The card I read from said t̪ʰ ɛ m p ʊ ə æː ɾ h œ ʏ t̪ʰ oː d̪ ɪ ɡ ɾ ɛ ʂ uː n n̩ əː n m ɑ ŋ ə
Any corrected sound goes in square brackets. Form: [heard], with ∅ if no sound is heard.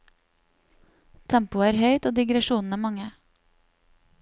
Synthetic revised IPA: t̪ʰ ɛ m p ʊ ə æː ɾ h œ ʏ [t̪] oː d̪ ɪ ɡ ɾ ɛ [ʃ] uː n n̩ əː [∅] m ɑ ŋ ə